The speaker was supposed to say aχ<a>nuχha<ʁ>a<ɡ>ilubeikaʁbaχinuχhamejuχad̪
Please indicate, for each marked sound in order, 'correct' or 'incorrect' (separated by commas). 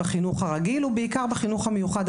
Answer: incorrect, correct, correct